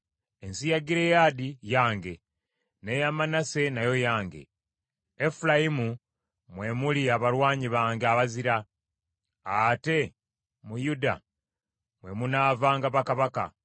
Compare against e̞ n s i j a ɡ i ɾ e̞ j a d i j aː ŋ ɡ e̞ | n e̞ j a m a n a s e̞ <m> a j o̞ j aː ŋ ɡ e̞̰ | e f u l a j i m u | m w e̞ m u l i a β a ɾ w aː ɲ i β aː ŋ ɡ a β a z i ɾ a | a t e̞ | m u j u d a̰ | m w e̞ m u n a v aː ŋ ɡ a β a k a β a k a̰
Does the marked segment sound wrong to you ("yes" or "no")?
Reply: yes